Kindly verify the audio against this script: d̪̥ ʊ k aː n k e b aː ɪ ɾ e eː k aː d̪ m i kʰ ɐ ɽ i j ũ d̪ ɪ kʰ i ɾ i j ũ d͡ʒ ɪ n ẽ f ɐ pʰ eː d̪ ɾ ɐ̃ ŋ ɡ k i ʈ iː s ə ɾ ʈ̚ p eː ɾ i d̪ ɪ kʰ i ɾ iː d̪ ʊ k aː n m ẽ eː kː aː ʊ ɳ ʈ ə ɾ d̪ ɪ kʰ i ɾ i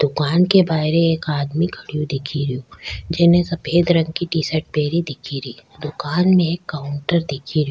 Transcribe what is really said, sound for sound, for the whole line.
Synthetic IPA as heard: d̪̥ ʊ k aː n k e b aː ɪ ɾ e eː k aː d̪ m i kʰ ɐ ɽ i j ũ d̪ ɪ kʰ i ɾ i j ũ d͡ʒ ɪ n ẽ s ɐ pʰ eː d̪ ɾ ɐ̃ ŋ ɡ k i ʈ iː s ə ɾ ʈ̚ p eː ɾ i d̪ ɪ kʰ i ɾ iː d̪ ʊ k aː n m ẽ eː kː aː ʊ ɳ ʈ ə ɾ d̪ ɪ kʰ i ɾ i